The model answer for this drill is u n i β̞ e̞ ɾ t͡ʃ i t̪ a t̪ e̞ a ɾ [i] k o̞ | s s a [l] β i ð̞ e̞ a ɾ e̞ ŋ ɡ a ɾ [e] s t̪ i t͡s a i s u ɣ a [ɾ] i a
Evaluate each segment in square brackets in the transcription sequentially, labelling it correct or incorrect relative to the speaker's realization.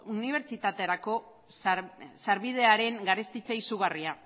incorrect, incorrect, correct, incorrect

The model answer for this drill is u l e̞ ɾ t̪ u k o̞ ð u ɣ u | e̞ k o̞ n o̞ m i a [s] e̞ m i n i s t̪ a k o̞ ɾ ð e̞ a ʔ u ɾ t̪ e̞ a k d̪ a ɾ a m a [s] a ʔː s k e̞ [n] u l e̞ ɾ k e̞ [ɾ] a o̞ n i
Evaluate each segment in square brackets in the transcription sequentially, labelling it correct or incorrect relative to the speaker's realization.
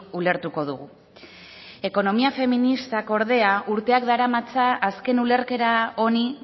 incorrect, incorrect, correct, correct

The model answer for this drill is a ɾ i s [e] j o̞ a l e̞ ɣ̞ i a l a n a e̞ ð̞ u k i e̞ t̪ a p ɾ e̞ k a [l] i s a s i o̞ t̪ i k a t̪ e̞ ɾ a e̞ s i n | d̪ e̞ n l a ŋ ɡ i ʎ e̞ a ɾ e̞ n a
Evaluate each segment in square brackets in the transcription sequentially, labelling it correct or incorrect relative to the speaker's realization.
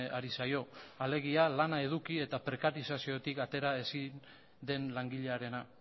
incorrect, incorrect

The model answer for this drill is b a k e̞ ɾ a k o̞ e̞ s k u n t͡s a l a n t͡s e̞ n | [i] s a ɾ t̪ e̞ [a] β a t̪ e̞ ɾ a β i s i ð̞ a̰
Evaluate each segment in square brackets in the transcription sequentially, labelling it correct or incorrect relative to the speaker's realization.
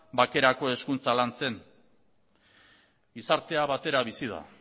correct, correct

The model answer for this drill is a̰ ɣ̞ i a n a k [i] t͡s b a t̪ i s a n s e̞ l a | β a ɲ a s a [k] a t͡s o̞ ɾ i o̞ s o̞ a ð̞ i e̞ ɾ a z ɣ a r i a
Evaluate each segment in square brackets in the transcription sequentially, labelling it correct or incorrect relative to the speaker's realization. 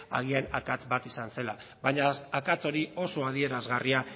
incorrect, correct

